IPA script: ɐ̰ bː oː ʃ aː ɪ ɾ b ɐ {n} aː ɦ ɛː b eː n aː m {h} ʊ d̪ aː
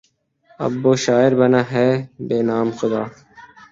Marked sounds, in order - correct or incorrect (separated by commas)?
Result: correct, incorrect